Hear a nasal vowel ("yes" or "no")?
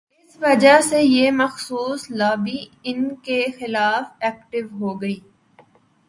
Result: no